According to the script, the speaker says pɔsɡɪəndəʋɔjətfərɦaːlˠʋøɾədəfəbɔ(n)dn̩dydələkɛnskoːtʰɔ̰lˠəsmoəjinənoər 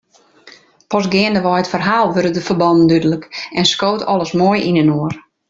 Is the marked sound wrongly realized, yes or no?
no